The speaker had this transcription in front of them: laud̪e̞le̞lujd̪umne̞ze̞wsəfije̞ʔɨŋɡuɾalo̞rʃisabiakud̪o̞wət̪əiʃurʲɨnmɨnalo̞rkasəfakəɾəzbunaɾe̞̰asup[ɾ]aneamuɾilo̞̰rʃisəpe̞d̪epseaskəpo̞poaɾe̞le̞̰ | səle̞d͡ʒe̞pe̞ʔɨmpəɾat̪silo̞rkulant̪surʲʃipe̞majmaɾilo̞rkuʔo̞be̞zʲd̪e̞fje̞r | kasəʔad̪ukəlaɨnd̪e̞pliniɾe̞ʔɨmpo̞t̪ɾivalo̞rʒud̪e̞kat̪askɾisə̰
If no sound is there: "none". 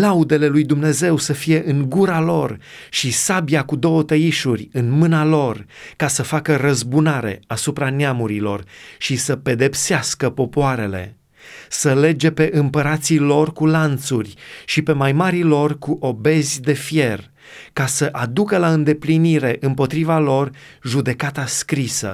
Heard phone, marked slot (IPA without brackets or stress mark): ɾ